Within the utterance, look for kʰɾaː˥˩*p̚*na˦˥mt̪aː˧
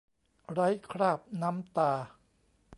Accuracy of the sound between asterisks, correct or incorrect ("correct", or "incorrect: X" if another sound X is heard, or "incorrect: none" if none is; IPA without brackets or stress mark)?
correct